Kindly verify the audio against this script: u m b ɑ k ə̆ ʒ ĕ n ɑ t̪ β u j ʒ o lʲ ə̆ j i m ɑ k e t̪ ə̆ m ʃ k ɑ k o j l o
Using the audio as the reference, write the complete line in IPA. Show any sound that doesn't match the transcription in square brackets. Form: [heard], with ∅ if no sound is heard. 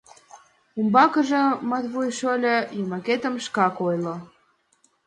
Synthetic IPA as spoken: u m b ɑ k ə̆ ʒ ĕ [m] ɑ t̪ β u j [ʃ] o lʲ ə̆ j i m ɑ k e t̪ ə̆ m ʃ k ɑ k o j l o